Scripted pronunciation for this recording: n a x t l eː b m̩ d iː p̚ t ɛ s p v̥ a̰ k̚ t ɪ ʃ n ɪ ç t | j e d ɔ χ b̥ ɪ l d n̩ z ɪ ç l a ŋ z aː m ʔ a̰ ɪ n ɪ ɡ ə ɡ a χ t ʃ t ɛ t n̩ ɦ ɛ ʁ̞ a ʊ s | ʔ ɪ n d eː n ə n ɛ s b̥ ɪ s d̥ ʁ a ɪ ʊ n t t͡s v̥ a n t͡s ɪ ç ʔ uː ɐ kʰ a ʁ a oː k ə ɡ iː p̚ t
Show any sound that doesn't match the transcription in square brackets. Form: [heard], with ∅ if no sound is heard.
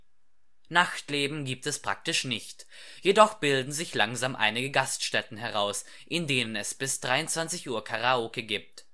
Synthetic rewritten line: n a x t l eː b m̩ [ɡ] iː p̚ t ɛ s p [ʁ̥] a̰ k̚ t ɪ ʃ n ɪ ç t | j e d ɔ χ b̥ ɪ l d n̩ z ɪ ç l a ŋ z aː m ʔ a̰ ɪ n ɪ ɡ ə ɡ a [s] t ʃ t ɛ t n̩ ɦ ɛ ʁ̞ a ʊ s | ʔ ɪ n d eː n ə n ɛ s b̥ ɪ s d̥ ʁ a ɪ ʊ n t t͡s v̥ a n t͡s ɪ ç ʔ uː ɐ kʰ a ʁ a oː k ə ɡ iː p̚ t